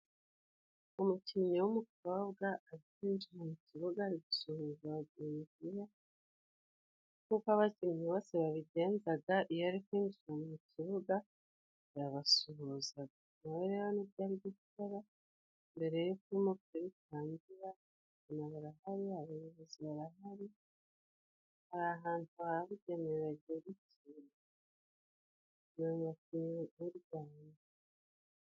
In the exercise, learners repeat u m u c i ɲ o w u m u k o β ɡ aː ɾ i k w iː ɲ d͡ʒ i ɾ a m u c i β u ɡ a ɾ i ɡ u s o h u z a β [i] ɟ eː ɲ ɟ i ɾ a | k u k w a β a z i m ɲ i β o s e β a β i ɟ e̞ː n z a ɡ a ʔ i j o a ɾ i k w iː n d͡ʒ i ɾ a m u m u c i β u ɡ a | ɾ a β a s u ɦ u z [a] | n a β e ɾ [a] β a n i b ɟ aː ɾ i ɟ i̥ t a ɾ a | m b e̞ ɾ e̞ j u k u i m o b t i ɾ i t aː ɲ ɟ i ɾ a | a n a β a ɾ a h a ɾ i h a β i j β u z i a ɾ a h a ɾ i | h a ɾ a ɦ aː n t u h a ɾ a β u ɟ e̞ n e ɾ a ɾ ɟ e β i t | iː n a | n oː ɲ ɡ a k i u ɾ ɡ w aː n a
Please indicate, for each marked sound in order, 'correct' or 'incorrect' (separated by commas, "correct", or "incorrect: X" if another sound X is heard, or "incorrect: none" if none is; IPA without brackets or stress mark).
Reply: incorrect: a, correct, incorrect: e